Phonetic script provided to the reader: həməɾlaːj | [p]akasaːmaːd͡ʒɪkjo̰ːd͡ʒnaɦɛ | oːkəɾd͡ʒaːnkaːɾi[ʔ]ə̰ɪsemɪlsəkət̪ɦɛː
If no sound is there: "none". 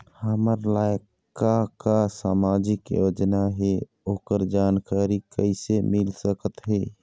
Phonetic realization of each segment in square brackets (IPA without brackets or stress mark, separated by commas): k, k